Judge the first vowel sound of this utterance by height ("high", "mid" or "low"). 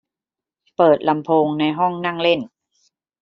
mid